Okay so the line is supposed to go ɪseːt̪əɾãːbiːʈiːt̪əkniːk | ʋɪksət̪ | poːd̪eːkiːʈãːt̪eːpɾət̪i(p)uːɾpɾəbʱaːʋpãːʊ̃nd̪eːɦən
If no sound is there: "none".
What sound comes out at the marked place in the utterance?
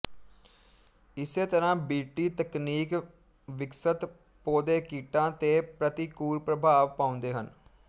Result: k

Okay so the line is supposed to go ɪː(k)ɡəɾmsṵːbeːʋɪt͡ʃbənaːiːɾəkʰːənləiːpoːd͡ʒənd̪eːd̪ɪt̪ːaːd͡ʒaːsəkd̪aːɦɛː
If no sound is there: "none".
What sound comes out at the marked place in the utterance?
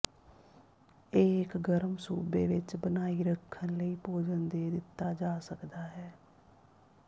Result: k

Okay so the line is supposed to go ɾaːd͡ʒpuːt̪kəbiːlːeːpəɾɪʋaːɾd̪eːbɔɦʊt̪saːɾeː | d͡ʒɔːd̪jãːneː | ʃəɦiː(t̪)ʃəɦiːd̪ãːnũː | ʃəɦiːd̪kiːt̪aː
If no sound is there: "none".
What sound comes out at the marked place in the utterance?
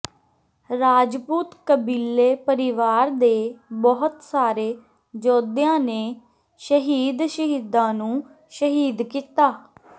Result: d̪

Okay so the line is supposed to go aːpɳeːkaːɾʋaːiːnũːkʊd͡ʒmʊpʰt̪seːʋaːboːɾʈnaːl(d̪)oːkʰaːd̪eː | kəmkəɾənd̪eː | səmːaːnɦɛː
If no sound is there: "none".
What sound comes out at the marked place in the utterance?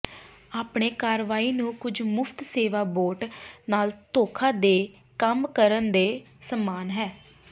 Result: t̪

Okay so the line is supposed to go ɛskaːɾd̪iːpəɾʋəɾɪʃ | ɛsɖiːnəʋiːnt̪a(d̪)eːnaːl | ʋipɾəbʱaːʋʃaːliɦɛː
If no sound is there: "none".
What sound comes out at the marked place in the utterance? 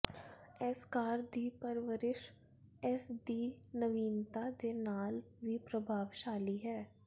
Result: d̪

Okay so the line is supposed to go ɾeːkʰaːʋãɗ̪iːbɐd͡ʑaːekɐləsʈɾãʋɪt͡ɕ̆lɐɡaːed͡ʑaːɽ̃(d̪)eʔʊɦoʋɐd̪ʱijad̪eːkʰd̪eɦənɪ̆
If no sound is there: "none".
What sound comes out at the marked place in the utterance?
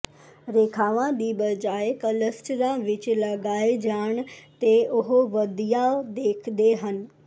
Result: t̪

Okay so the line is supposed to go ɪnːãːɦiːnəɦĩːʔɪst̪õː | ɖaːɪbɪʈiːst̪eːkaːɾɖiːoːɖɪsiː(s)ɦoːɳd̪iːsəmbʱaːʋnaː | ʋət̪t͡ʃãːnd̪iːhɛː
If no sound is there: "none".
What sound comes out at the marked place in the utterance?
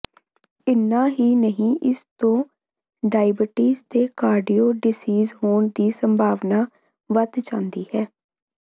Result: z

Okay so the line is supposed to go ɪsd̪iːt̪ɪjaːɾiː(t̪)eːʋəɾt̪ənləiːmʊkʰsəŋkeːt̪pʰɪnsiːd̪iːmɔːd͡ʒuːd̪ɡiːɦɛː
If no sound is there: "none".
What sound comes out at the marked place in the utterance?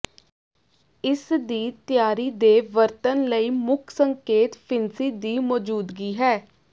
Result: d̪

